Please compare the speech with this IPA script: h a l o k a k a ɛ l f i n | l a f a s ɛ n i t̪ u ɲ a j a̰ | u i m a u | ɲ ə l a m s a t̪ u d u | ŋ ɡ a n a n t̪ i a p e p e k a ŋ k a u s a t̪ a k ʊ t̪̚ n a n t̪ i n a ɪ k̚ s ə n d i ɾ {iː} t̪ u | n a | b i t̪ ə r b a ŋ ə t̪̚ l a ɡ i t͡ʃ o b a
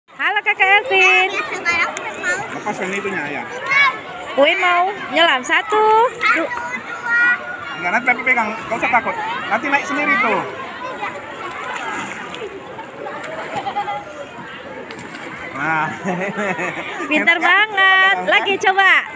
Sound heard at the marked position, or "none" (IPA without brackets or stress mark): i